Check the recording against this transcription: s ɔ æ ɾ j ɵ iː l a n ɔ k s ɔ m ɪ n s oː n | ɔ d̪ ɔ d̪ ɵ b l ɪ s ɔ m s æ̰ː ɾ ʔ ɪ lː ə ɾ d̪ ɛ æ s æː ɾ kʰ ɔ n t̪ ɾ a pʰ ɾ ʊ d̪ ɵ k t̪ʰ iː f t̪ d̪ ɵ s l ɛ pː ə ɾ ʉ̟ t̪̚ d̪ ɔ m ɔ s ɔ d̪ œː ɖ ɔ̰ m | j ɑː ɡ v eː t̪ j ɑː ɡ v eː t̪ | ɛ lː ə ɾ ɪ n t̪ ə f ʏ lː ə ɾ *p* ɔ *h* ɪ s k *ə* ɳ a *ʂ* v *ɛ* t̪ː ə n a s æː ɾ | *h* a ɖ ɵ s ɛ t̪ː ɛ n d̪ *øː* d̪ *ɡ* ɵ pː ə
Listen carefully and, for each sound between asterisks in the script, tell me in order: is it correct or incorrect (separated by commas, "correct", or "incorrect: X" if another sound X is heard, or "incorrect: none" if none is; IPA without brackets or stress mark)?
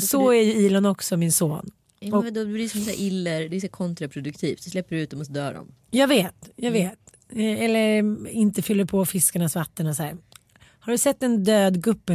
incorrect: pʰ, incorrect: f, incorrect: a, incorrect: s, incorrect: a, correct, correct, correct